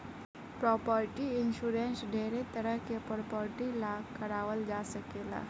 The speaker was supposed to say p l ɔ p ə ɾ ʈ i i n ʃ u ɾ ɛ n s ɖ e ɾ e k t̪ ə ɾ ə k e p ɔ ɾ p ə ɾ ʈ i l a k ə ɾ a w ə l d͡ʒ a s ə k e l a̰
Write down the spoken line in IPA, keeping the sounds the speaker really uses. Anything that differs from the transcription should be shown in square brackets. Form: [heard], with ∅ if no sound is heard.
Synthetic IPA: p [ɾ] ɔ p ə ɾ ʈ i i n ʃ u ɾ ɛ n s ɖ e ɾ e [∅] t̪ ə ɾ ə k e p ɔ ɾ p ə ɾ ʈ i l a k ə ɾ a w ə l d͡ʒ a s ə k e l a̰